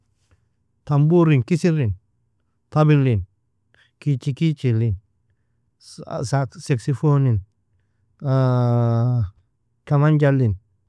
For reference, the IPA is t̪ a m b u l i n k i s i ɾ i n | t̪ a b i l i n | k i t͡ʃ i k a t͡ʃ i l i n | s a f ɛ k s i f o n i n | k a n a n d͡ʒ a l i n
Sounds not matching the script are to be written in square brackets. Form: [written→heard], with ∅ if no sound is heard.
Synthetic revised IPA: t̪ a m b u [l→ɾ] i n k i s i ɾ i n | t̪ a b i l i n | k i t͡ʃ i k [a→i] t͡ʃ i l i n | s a [f→s] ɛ k s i f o n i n | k a [n→m] a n d͡ʒ a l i n